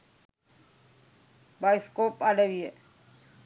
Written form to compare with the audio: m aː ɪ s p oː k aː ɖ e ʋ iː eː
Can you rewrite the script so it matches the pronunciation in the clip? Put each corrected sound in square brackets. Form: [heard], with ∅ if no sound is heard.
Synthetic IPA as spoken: [b] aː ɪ s [k] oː [p] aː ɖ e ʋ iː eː